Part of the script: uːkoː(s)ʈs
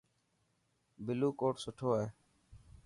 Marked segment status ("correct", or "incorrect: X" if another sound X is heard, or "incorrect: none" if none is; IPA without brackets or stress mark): incorrect: none